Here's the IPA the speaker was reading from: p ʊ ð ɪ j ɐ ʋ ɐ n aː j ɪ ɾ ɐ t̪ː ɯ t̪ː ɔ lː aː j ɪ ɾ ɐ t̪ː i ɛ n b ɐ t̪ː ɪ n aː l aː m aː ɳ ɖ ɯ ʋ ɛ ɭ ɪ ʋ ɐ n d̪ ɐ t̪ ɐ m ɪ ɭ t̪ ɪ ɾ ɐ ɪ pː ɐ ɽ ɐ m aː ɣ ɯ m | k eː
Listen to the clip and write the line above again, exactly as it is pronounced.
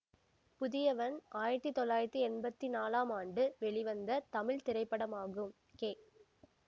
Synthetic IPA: p ʊ ð ɪ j ɐ ʋ ɐ n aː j ɪ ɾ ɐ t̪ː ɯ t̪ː ɔ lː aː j ɪ ɾ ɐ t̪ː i ɛ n b ɐ t̪ː i n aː l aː m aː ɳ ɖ ɯ ʋ ɛ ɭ ɪ ʋ ɐ n d̪ ɐ t̪ ɐ m ɪ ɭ t̪ ɪ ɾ ɐ ɪ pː ɐ ɽ ɐ m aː ɣ ɯ m | k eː